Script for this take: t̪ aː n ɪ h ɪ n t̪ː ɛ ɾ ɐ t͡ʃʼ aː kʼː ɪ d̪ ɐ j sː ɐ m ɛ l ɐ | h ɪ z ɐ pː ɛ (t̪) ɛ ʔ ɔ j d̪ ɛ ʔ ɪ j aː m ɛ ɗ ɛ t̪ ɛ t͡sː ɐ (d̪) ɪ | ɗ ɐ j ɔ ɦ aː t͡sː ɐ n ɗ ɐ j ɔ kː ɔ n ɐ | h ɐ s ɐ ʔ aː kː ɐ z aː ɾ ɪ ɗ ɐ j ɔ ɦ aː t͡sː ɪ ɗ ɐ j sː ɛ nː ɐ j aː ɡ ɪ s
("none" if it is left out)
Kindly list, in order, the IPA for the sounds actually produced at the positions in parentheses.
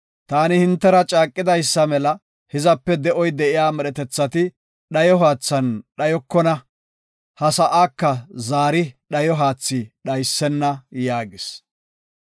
d̪, t̪

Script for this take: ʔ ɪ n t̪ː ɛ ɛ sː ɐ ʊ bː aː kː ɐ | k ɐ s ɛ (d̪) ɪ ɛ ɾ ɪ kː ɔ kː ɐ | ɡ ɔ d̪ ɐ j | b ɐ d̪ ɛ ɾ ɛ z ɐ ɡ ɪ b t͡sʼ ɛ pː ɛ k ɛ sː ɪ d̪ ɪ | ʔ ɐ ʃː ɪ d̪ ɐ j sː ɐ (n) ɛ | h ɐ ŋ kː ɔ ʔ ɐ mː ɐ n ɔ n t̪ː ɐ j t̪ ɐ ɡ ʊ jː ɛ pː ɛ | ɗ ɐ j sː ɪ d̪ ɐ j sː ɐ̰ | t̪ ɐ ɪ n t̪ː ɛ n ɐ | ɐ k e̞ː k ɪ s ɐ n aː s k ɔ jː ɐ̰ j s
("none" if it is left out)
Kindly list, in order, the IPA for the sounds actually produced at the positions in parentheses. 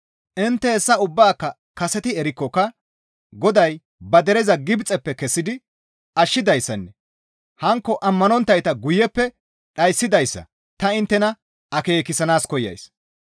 t̪, nː

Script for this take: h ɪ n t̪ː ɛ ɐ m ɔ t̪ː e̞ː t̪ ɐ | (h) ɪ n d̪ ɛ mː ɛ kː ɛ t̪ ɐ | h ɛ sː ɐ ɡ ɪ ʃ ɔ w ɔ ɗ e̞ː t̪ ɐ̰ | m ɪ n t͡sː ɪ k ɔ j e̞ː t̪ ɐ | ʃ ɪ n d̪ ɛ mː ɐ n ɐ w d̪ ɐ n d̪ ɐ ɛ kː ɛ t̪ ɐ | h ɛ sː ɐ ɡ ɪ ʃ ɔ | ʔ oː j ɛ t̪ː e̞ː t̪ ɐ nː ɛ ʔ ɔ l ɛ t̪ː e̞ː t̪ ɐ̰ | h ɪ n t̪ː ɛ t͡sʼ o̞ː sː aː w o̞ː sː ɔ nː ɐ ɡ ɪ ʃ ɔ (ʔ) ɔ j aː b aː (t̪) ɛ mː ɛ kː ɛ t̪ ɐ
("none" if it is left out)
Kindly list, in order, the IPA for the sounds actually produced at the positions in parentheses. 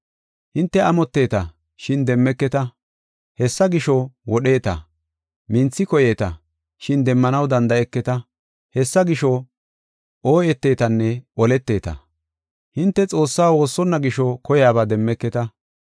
ʃ, k, d̪

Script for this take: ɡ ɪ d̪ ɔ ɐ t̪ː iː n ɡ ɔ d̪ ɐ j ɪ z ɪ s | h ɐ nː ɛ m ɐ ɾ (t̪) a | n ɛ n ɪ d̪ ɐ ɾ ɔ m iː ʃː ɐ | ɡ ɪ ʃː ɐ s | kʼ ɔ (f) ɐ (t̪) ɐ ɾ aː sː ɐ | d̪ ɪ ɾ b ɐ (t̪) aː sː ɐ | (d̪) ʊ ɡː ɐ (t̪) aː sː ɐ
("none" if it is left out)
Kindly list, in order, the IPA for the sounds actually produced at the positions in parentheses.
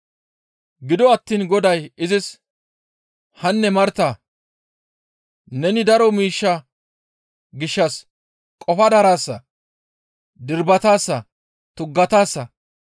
t̪, f, d̪, t̪, t̪, t̪

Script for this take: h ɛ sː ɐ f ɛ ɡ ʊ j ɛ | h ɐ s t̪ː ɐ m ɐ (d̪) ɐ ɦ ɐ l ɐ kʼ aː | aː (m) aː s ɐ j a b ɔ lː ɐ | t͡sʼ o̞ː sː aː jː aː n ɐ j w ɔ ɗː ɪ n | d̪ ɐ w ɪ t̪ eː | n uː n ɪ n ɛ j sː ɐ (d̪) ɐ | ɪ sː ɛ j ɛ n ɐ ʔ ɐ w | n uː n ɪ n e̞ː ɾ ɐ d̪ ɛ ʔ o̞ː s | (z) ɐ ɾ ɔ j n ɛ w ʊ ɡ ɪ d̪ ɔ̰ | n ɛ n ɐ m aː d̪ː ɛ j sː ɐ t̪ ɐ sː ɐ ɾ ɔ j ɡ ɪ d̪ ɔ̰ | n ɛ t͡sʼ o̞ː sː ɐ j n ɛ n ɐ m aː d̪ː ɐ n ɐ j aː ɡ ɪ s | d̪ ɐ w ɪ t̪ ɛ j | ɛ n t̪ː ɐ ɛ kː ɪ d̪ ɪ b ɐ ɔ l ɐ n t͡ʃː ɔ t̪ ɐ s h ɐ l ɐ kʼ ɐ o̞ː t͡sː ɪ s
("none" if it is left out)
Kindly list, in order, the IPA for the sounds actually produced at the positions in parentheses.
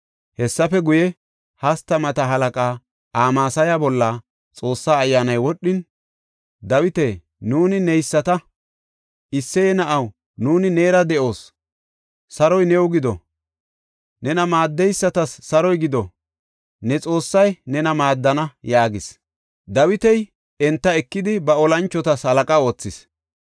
t̪, m, t̪, s

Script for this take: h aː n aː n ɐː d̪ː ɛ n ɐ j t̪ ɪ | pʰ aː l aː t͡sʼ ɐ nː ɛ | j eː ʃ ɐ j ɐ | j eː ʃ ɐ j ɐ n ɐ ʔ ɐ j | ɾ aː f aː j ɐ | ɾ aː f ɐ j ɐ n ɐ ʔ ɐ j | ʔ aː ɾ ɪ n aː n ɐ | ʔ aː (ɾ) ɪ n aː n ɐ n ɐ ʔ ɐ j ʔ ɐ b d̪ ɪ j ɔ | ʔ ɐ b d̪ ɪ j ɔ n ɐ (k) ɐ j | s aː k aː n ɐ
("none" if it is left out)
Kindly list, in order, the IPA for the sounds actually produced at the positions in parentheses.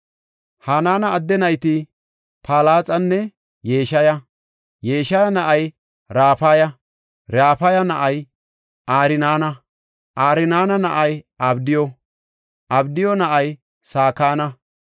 ɾ, ʔ

